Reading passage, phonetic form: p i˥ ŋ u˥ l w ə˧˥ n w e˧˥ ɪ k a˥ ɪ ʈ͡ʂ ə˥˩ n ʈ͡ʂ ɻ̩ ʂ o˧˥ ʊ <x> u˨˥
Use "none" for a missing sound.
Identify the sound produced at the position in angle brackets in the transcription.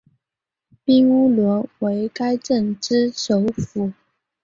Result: f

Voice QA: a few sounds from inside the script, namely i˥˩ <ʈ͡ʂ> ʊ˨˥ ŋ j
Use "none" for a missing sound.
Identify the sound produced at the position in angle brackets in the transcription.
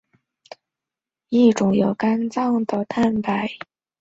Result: ʈ͡ʂ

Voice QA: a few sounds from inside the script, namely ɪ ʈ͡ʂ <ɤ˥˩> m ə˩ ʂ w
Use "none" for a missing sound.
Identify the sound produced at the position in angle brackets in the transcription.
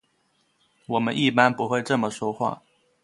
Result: ɤ˥˩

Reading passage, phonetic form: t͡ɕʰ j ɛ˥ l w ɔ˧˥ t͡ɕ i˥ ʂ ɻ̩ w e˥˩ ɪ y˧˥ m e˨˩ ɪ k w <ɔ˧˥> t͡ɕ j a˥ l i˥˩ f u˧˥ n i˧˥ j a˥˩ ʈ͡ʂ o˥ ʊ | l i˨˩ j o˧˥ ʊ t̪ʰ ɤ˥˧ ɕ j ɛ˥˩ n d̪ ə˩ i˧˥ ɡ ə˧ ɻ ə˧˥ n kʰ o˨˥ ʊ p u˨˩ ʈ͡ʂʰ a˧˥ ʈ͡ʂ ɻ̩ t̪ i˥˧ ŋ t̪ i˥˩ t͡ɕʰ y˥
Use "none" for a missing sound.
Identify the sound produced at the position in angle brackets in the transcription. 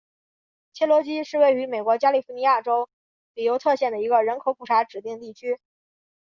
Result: ɔ˧˥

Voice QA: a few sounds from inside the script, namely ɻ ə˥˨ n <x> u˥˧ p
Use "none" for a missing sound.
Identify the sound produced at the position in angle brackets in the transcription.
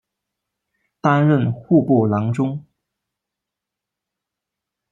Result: x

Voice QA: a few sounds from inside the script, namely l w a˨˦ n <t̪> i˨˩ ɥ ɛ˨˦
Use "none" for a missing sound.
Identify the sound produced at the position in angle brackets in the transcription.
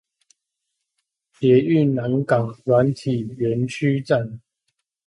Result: t̪ʰ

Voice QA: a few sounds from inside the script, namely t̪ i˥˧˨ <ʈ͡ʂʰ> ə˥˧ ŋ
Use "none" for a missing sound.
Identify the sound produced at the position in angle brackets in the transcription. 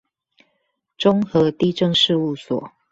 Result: ʈ͡ʂ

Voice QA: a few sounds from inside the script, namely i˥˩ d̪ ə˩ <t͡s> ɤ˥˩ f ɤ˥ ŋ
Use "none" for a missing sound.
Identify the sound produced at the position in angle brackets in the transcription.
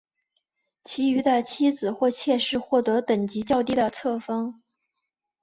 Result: t͡sʰ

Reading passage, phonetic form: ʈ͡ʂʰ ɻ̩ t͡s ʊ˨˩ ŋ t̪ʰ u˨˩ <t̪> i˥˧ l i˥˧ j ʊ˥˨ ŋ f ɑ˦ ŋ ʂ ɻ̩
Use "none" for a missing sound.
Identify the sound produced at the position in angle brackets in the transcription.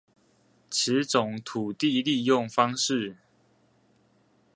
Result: t̪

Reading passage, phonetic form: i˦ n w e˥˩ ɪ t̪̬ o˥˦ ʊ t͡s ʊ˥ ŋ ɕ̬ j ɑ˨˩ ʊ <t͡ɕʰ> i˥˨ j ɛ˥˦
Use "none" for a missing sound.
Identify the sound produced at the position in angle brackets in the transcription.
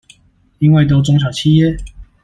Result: t͡ɕʰ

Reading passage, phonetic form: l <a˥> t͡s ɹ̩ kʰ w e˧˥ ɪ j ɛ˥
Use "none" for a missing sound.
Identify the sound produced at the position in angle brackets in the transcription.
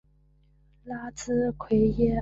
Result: a˥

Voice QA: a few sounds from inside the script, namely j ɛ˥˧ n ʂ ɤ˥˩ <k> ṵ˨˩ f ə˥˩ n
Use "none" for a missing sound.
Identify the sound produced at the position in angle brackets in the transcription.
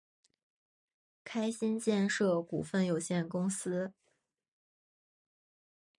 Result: k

